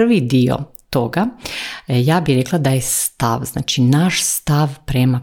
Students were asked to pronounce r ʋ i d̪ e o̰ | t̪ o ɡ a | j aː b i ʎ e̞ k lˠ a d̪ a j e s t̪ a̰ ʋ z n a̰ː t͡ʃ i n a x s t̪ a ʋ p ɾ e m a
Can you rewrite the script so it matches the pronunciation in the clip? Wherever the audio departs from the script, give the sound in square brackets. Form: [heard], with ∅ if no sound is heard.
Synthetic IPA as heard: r ʋ i d̪ [i] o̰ | t̪ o ɡ a | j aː b i [ɾ] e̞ k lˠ a d̪ a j e s t̪ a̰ ʋ z n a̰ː t͡ʃ i n a [ʃ] s t̪ a ʋ p ɾ e m a